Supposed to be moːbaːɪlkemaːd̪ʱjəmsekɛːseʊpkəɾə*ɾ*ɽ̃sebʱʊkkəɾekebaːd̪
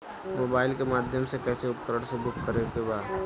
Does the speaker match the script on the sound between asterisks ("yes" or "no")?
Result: no